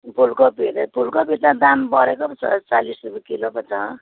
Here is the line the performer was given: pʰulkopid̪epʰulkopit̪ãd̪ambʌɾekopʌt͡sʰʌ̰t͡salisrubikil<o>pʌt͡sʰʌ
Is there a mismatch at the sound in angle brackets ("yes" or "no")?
no